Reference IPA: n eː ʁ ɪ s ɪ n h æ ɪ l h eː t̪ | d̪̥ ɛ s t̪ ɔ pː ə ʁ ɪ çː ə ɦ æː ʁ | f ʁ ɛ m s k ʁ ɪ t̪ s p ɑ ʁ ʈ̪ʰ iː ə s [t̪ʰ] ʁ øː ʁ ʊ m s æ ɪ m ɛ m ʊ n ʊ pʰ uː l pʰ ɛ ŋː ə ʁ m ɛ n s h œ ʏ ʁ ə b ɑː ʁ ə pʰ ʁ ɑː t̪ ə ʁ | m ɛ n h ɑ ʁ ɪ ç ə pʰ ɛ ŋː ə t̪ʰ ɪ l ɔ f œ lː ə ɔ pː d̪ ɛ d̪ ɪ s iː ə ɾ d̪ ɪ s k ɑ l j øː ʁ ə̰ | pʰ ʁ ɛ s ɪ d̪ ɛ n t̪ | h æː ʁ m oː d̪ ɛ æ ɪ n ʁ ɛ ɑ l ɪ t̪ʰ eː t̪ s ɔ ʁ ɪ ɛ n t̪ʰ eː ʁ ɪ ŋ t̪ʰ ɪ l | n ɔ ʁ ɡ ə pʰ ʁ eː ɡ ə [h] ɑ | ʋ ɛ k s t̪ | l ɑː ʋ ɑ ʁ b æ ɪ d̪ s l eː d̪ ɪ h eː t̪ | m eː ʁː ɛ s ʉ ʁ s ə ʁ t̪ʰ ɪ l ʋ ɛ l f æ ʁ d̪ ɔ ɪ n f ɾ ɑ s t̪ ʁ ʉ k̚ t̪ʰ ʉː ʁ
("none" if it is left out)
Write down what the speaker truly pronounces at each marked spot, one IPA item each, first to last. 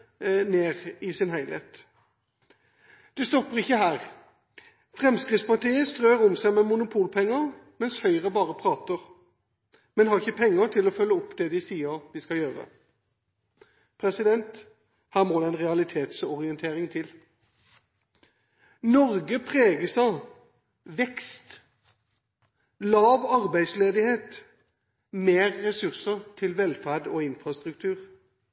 t̪, s

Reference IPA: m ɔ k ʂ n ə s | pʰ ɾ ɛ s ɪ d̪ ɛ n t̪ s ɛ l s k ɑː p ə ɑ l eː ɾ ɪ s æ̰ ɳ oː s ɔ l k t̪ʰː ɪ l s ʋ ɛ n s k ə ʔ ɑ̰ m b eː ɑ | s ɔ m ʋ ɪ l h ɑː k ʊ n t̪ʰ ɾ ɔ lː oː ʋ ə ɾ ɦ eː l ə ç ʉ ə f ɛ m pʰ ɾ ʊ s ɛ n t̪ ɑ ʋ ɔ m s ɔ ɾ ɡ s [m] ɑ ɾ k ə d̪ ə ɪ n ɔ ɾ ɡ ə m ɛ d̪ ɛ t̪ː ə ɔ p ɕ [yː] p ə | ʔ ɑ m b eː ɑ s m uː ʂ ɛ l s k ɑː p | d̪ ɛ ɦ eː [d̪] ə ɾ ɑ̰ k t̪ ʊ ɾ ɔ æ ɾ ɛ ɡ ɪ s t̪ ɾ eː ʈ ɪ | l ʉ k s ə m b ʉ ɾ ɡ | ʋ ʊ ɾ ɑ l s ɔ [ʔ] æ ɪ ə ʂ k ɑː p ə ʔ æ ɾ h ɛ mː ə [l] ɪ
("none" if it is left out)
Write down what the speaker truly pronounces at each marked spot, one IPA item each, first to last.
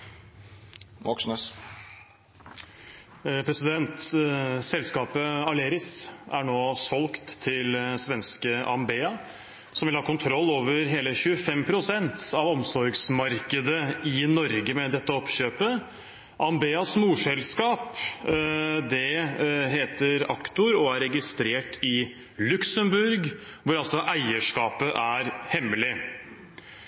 m, øː, t̪, ʔ, l

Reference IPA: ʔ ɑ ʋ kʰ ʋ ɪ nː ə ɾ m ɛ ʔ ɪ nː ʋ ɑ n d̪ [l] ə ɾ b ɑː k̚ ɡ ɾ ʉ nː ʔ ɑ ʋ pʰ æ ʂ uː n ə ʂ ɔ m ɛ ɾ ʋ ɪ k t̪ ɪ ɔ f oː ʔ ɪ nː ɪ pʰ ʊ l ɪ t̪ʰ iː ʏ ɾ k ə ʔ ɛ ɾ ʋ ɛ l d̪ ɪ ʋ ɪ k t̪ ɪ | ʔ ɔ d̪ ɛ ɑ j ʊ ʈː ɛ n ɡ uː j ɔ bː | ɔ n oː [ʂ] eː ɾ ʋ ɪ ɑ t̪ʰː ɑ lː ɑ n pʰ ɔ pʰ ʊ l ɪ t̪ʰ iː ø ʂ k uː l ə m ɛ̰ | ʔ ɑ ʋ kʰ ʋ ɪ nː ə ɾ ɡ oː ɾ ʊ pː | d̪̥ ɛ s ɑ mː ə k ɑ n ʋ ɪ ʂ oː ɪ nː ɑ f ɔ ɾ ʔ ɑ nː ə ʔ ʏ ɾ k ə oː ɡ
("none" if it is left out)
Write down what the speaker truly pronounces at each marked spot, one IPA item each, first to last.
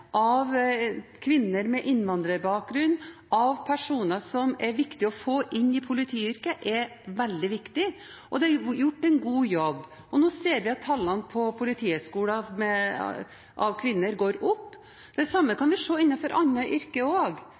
ɾ, s

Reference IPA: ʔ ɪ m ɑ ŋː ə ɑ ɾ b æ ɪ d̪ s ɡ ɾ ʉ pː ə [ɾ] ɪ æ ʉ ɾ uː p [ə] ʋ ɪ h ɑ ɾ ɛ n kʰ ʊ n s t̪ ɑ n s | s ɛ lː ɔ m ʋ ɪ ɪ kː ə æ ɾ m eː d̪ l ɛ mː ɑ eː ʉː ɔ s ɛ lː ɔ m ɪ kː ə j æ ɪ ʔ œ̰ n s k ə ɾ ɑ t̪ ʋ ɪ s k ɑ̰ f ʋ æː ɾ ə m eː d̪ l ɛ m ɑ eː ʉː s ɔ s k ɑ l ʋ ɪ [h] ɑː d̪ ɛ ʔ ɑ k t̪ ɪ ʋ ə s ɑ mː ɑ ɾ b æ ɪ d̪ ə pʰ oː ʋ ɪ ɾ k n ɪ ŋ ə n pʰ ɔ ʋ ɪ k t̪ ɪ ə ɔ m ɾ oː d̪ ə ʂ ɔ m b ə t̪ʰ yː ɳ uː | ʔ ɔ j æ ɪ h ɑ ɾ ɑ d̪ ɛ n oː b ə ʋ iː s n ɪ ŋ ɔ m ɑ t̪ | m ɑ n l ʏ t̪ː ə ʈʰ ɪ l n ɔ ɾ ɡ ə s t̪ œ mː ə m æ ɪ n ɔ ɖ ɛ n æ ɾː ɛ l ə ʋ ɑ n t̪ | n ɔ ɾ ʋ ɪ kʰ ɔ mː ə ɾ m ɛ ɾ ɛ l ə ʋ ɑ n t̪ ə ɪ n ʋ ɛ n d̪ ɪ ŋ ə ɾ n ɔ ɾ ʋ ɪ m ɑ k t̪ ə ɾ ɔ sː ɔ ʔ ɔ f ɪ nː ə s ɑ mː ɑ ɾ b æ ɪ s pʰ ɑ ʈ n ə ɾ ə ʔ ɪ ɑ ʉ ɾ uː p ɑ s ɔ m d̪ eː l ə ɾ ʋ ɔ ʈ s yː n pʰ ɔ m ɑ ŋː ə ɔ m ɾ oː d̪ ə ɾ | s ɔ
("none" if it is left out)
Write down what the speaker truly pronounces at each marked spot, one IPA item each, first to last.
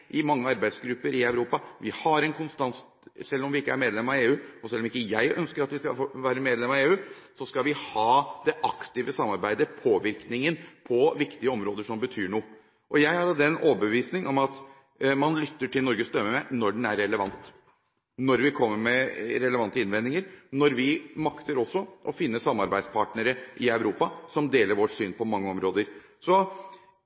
ɾ, ɑ, h

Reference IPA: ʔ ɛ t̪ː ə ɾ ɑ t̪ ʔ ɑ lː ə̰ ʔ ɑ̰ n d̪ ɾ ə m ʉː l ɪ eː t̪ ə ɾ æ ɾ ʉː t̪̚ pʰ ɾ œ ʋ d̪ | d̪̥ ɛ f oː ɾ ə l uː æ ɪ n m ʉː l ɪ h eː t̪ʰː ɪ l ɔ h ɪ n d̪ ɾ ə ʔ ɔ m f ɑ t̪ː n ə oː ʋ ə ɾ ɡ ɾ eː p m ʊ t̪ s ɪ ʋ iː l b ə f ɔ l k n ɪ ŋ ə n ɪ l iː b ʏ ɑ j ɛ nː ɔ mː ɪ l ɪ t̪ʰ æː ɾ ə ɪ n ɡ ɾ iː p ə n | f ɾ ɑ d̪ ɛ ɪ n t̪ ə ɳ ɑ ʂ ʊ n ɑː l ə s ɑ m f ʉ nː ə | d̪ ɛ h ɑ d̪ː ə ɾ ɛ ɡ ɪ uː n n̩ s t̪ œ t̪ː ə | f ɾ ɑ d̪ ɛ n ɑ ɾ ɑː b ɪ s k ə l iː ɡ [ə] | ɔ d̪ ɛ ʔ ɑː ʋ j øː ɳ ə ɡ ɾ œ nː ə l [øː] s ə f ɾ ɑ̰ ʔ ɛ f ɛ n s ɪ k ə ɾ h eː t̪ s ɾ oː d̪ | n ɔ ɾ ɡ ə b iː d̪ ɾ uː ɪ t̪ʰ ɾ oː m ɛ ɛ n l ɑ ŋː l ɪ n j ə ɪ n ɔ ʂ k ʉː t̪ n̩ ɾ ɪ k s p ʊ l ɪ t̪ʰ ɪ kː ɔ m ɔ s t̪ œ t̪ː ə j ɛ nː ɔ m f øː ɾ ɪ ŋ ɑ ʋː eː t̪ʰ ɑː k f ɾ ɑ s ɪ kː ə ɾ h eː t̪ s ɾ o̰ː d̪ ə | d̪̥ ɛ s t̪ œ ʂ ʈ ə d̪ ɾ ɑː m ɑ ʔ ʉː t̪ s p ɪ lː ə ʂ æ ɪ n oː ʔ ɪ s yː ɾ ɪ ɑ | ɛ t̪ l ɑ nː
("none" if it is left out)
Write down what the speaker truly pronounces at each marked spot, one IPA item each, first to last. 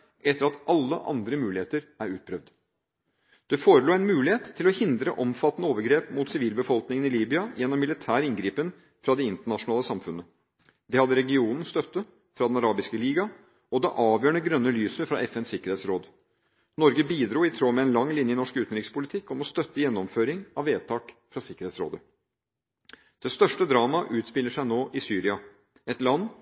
ɑ, yː

